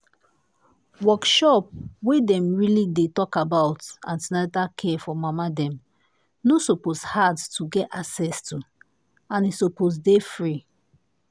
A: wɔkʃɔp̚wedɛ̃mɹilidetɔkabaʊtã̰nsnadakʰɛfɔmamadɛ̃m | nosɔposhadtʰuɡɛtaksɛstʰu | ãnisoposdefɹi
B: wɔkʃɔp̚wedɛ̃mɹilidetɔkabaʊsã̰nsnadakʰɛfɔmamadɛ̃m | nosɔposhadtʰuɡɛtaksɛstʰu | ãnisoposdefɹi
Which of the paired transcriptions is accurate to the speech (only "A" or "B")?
A